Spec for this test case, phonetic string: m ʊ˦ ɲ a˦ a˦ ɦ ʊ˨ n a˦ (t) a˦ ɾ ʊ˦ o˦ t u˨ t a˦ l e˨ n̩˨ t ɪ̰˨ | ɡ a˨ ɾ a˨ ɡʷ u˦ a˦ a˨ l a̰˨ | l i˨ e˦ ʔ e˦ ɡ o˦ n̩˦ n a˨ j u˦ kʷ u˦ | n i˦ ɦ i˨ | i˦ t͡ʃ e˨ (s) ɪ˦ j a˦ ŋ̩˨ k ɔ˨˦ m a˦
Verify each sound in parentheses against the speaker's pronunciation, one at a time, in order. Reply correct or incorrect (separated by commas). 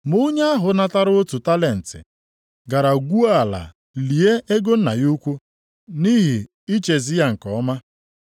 correct, incorrect